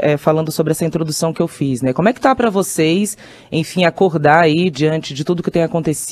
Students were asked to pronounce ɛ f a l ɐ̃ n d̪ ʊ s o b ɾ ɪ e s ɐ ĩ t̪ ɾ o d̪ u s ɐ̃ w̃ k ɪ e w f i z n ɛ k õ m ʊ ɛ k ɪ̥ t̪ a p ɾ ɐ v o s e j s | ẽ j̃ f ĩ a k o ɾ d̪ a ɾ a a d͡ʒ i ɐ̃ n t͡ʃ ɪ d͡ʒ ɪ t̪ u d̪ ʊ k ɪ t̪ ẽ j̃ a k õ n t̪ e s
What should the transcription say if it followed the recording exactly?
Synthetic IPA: ɛ f a l ɐ̃ n d̪ ʊ s o b ɾ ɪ ɛ s ɐ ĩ t̪ ɾ o d̪ u s ɐ̃ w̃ k ɪ e w f i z n ɛ k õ m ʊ ɛ k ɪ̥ t̪ a p ɾ ɐ v o s e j s | ẽ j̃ f ĩ a k o ɾ d̪ a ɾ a i d͡ʒ i ɐ̃ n t͡ʃ ɪ d͡ʒ ɪ t̪ u d̪ ʊ k ɪ t̪ ẽ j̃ a k õ n t̪ e s